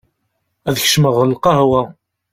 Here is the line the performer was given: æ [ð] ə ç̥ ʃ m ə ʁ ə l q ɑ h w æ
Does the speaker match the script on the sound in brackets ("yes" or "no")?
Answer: yes